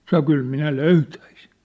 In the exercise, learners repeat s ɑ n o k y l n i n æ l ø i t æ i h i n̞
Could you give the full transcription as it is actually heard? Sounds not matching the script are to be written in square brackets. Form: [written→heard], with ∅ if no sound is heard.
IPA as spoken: s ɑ n o k y l [n→m] i n æ l ø [i→y] t æ i [h→s] i n̞